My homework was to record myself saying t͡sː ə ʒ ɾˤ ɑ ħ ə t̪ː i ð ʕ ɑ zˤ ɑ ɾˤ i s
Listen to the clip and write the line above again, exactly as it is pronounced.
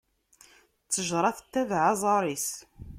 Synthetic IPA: t͡sː ə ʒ ɾˤ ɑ θ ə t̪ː æ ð ʕ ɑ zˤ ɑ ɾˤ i s